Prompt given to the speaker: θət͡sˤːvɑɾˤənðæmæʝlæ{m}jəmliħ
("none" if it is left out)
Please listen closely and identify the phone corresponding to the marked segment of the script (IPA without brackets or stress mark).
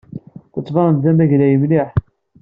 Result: none